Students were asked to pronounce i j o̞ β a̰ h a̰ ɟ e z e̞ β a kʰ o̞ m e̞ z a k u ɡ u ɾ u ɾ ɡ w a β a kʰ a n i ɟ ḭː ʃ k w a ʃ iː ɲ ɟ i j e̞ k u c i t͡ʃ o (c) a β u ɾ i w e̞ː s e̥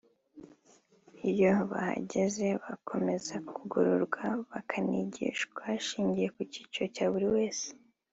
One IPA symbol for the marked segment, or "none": c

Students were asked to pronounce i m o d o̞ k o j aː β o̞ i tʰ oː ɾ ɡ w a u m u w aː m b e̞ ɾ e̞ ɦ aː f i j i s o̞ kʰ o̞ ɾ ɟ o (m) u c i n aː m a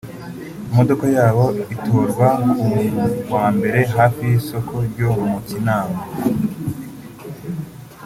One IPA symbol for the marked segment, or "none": m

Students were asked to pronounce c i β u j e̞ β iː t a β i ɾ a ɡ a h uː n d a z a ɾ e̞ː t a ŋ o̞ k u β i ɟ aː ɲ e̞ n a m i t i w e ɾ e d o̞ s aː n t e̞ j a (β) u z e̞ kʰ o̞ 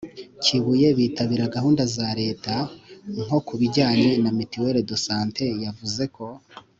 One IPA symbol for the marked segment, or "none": v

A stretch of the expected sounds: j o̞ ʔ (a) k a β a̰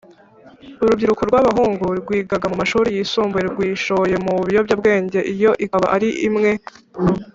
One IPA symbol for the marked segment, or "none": i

